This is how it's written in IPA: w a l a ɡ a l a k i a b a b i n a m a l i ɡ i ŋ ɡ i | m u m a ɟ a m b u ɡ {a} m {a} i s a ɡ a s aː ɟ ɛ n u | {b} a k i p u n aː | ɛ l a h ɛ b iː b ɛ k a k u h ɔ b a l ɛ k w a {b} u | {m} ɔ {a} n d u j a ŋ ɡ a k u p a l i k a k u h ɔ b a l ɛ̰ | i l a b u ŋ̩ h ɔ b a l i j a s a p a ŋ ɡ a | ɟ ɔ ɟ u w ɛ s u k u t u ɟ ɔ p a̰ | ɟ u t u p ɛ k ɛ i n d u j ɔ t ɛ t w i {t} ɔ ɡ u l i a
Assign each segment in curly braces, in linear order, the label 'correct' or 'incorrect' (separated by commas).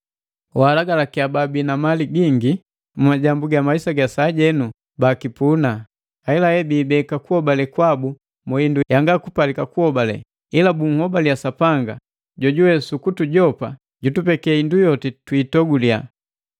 correct, correct, correct, correct, correct, incorrect, correct